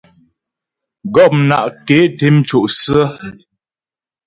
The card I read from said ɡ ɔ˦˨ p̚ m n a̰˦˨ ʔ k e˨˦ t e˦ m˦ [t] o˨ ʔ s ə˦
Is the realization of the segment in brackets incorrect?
yes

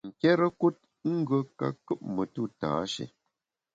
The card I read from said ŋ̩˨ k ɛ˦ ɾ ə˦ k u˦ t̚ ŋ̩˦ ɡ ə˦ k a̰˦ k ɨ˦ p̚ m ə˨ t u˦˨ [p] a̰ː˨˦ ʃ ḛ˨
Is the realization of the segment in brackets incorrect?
yes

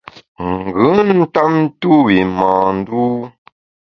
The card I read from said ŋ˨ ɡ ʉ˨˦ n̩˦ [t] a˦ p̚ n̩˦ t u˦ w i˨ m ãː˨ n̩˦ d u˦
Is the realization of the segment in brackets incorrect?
no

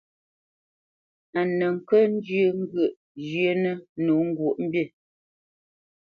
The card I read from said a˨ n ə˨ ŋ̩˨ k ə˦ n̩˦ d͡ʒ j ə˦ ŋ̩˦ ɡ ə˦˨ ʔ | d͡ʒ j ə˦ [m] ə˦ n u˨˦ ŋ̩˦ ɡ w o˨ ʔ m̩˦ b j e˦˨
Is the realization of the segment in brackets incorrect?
yes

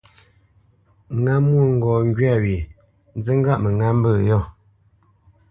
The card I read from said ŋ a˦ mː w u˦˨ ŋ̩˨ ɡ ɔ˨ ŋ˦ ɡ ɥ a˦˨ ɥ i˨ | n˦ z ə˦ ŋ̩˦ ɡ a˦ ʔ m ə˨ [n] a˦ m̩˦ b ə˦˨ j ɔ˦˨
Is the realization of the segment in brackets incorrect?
yes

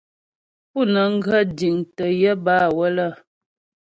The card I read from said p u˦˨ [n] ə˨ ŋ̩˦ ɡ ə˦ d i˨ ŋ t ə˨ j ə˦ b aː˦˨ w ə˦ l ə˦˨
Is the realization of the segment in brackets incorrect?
no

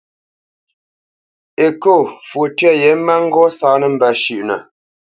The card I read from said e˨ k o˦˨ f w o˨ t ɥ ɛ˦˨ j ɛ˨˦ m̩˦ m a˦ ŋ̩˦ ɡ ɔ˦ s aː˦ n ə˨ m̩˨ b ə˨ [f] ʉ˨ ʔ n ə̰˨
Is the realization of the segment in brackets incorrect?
yes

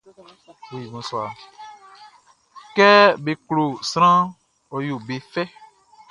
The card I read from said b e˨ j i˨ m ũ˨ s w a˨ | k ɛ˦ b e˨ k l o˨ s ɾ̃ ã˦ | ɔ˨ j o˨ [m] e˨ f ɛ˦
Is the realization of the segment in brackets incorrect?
yes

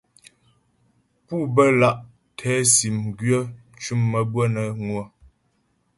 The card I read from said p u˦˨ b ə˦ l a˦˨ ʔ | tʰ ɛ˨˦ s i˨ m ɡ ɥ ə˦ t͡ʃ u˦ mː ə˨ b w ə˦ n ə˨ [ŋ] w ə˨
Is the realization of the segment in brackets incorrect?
no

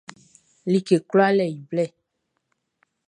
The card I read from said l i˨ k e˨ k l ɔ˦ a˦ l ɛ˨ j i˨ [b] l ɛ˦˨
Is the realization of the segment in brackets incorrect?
no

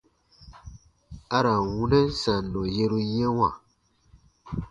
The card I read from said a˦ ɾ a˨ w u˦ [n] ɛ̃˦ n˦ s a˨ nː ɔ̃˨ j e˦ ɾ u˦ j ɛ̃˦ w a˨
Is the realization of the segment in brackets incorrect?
no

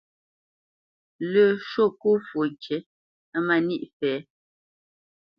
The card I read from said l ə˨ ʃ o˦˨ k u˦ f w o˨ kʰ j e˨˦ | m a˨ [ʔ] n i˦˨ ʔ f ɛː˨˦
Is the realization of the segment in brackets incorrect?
yes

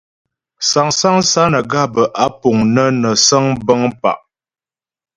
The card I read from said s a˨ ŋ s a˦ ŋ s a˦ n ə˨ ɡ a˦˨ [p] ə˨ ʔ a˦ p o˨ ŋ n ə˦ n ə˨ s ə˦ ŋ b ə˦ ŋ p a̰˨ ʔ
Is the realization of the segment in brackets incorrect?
yes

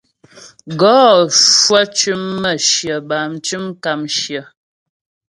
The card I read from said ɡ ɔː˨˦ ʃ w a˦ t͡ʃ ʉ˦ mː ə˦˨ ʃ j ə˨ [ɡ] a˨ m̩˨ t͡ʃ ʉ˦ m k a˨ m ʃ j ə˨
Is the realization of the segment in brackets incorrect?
yes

